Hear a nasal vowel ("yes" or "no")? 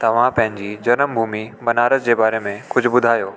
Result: yes